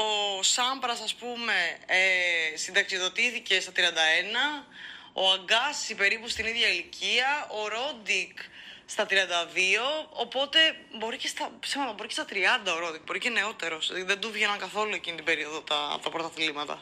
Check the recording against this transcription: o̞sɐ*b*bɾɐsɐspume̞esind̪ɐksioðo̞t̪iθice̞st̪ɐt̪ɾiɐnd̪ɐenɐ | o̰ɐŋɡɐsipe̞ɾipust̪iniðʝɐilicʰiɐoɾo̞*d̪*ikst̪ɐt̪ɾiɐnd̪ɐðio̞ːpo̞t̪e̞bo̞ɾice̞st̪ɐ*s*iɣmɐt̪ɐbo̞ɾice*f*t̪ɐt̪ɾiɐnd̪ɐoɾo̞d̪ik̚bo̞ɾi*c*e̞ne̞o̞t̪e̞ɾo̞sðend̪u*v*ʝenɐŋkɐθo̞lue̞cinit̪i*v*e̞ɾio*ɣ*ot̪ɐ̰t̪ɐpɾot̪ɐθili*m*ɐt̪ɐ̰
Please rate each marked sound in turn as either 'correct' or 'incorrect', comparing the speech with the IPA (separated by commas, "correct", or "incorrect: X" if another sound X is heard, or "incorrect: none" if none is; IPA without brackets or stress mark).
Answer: incorrect: m, correct, correct, incorrect: s, correct, correct, incorrect: b, incorrect: ð, correct